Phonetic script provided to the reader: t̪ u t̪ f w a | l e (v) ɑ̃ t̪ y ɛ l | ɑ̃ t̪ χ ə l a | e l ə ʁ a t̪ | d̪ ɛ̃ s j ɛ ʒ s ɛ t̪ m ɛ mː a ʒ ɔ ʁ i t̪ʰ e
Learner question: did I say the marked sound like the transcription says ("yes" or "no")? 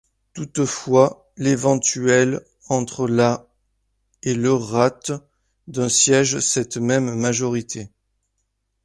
yes